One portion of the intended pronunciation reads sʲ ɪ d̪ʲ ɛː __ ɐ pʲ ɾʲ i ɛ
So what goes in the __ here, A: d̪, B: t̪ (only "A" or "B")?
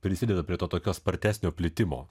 A